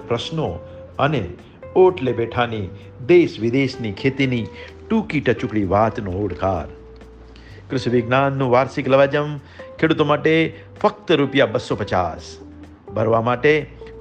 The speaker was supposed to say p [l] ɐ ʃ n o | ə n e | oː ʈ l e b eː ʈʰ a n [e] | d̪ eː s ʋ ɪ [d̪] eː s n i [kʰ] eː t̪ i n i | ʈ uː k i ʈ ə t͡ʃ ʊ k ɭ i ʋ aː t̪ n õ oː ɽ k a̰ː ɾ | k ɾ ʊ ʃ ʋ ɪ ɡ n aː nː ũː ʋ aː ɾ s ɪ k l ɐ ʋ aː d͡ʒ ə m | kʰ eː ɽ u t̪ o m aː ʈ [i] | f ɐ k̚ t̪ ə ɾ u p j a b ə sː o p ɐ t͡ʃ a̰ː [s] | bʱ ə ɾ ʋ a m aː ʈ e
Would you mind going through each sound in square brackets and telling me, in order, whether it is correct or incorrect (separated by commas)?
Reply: incorrect, incorrect, correct, correct, incorrect, correct